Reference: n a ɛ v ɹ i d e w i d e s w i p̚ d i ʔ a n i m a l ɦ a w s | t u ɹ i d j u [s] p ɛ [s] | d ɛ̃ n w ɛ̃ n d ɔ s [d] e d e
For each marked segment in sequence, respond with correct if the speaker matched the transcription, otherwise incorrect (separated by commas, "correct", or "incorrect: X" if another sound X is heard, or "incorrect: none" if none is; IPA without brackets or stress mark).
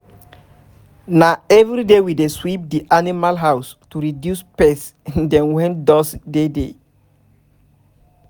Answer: correct, correct, correct